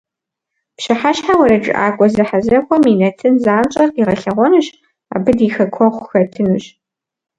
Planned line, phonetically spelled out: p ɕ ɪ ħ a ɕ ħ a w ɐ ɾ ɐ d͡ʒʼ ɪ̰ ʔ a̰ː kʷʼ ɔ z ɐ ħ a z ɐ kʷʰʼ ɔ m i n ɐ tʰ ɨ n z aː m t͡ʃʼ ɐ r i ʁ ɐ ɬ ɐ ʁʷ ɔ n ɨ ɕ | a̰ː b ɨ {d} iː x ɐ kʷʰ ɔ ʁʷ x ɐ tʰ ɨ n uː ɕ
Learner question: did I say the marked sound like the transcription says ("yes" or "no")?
yes